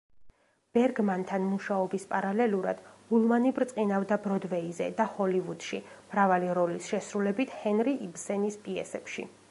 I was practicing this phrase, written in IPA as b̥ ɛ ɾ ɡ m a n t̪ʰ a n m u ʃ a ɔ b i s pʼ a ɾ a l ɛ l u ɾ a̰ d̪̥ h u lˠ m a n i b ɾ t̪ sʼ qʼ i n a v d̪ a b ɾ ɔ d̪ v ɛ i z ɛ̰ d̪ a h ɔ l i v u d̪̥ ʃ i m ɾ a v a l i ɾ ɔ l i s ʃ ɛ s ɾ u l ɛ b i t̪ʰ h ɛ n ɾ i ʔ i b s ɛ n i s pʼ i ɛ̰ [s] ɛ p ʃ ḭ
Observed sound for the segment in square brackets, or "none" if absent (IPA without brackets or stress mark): s